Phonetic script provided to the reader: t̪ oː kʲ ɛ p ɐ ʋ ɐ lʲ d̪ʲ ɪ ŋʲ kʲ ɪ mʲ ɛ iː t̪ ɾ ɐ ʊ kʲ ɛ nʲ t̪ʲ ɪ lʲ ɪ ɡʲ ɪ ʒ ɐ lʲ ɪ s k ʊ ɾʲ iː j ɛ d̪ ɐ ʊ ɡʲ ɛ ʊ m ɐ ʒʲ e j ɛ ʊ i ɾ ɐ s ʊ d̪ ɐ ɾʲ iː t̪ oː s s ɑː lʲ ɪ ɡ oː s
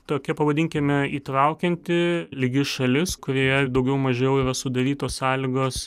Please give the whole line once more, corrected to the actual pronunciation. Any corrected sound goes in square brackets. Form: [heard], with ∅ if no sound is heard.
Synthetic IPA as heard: t̪ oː kʲ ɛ p ɐ ʋ ɐ [∅] d̪ʲ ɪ ŋʲ kʲ ɪ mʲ ɛ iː t̪ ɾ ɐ ʊ kʲ ɛ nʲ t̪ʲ ɪ lʲ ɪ ɡʲ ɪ [ʃ] ɐ lʲ ɪ s k ʊ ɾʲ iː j ɛ d̪ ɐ ʊ ɡʲ ɛ ʊ m ɐ ʒʲ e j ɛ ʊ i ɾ ɐ s ʊ d̪ ɐ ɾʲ iː t̪ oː s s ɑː lʲ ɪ ɡ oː s